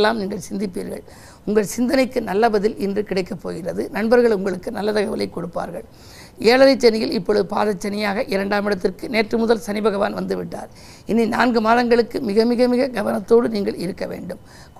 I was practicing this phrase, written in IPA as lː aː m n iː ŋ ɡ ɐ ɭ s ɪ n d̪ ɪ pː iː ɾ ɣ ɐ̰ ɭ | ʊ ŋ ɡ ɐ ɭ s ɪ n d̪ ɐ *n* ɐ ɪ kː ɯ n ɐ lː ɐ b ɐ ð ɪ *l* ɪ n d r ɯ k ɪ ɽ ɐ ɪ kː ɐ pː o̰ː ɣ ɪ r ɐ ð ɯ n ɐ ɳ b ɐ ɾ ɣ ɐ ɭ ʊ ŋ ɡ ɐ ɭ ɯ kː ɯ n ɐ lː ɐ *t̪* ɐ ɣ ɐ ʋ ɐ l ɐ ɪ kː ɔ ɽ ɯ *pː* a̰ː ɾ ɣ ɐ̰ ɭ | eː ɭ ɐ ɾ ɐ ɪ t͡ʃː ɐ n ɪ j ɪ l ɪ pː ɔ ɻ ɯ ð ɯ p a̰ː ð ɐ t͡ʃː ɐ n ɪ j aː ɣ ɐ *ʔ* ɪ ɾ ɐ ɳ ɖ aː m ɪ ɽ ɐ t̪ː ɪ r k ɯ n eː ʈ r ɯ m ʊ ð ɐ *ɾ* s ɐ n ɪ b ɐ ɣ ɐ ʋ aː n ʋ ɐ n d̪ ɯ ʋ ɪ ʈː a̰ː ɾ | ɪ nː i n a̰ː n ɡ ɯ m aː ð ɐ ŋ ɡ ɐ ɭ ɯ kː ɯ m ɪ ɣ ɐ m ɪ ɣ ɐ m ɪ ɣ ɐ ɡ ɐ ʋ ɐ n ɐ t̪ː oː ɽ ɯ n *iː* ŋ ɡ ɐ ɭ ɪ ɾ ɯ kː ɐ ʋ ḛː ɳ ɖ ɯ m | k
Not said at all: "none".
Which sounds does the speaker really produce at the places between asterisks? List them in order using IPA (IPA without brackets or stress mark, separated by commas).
n, l, t̪, pː, ʔ, l, iː